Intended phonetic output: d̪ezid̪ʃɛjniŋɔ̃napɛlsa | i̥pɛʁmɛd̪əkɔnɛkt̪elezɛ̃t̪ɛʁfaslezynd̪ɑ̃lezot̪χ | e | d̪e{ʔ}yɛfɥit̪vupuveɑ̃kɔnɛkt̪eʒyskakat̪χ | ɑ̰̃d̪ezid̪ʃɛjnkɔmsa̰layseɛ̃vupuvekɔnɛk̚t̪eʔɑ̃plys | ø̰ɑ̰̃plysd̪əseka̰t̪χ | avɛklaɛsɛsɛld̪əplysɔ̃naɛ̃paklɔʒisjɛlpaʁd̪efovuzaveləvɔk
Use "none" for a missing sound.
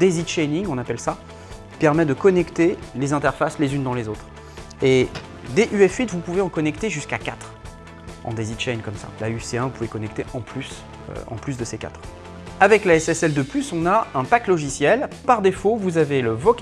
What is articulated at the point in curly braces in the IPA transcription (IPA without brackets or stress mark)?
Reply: ʔ